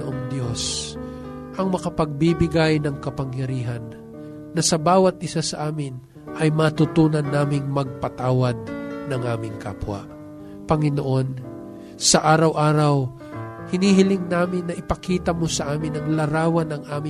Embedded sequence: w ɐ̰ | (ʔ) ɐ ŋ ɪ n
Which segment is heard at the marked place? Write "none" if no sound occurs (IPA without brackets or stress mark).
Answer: p